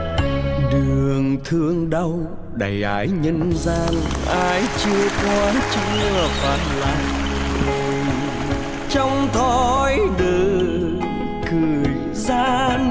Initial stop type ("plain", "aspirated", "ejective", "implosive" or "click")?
implosive